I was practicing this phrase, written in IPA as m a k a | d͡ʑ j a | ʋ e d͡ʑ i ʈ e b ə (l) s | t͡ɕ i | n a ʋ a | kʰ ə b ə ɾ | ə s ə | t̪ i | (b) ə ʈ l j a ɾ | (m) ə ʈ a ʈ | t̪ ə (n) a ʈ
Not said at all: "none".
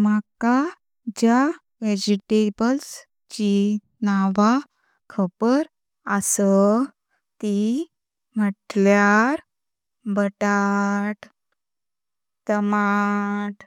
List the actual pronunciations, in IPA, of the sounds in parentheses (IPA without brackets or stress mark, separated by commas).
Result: l, m, b, m